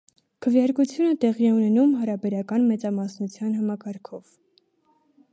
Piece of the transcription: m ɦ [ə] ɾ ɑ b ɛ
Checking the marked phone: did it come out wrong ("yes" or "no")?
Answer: yes